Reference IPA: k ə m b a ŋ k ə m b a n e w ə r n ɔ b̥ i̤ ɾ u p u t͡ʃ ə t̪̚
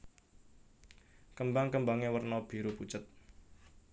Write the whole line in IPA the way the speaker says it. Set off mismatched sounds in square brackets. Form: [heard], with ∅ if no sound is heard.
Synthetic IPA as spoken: k ə m b a ŋ k ə m b a [ŋ] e w ə r n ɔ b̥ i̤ ɾ u p u t͡ʃ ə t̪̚